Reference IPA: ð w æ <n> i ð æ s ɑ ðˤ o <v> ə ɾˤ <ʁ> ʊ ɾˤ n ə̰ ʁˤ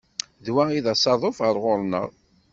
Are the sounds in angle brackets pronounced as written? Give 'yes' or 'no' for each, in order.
no, no, yes

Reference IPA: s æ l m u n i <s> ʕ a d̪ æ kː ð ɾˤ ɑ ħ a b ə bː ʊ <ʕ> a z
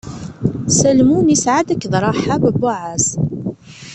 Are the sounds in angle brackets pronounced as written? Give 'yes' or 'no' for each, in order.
yes, yes

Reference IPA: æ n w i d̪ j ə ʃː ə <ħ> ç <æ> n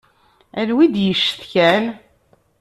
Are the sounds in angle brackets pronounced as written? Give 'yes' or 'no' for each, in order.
no, yes

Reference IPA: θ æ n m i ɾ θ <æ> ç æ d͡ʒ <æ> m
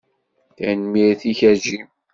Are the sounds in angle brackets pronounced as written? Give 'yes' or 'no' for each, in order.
no, no

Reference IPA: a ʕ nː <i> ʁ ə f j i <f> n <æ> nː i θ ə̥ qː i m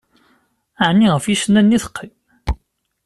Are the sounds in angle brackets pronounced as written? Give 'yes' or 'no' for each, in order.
yes, no, yes

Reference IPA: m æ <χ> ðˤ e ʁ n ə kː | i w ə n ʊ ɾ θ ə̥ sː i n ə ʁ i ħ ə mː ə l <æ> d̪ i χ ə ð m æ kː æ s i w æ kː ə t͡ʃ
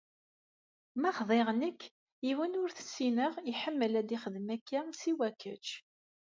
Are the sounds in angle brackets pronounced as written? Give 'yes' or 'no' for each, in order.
yes, yes

